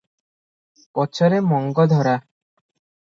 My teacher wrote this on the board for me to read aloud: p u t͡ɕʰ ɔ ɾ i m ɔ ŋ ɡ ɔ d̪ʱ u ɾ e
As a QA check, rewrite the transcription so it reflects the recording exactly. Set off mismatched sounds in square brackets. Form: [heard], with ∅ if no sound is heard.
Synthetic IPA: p [ɔ] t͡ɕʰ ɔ ɾ [e] m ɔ ŋ ɡ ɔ d̪ʱ [ɔ] ɾ [a]

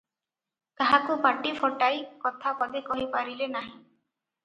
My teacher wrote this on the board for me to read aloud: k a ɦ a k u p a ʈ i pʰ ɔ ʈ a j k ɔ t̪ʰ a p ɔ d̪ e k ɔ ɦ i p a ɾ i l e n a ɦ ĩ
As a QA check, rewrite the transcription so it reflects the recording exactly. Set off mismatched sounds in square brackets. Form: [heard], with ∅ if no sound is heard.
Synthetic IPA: k a ɦ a k u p a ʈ i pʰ ɔ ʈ a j k ɔ t̪ʰ a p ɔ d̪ e k ɔ ɦ i p a ɾ i l e n a ɦ ĩ

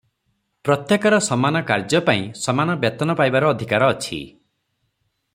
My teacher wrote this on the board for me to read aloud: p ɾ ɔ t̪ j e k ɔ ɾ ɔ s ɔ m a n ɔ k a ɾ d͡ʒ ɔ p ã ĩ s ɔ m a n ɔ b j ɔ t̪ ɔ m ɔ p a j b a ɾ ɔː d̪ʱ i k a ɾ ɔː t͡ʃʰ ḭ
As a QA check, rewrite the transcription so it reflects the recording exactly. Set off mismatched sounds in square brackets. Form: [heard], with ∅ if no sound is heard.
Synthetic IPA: p ɾ ɔ t̪ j e k ɔ ɾ ɔ s ɔ m a n ɔ k a ɾ d͡ʒ ɔ p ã ĩ s ɔ m a n ɔ b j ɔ t̪ ɔ [n] ɔ p a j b a ɾ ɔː d̪ʱ i k a ɾ ɔː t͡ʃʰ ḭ

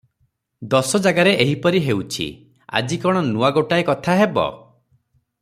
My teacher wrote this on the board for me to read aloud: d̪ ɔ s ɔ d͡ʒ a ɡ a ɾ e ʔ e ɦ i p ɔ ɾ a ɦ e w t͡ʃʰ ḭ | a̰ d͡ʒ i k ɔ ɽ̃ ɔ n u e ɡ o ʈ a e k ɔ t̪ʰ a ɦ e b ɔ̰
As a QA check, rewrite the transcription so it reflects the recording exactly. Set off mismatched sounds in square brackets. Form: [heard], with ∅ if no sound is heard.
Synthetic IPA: d̪ ɔ s ɔ d͡ʒ a ɡ a ɾ e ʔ e ɦ i p ɔ ɾ [i] ɦ e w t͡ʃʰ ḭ | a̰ d͡ʒ i k ɔ ɽ̃ ɔ n u [a] ɡ o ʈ a e k ɔ t̪ʰ a ɦ e b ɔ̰

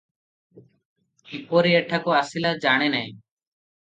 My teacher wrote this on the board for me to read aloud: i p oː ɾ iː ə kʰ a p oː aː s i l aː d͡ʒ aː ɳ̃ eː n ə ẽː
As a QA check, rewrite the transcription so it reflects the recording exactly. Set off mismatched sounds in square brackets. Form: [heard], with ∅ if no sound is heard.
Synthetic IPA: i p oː ɾ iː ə [ʈʰ] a [k] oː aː s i l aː d͡ʒ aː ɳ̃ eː n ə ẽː

